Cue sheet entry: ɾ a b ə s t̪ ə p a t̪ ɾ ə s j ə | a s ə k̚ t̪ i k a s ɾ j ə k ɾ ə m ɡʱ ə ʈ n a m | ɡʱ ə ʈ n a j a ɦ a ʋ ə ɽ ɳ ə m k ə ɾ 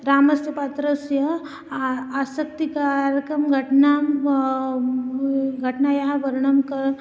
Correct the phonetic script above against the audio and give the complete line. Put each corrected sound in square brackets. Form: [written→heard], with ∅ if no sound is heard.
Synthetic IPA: ɾ a [b→m] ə s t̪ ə p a t̪ ɾ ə s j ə | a s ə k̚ t̪ i k a [s→∅] ɾ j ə k ɾ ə m ɡʱ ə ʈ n a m | ɡʱ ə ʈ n a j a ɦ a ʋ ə [ɽ→ɾ] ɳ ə m k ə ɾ